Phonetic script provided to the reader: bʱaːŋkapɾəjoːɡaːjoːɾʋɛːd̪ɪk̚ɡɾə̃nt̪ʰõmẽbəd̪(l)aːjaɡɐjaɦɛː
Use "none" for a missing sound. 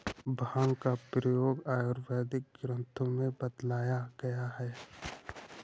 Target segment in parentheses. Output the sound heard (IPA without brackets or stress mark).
l